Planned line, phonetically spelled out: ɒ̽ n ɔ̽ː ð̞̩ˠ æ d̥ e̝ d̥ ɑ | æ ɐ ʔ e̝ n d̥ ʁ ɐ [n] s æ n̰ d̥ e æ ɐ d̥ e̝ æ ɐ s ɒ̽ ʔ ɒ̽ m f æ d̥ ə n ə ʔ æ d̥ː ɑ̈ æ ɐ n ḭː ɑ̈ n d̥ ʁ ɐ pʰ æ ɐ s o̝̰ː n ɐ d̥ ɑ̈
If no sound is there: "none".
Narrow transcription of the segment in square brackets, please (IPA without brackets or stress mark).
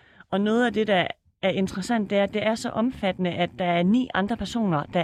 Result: none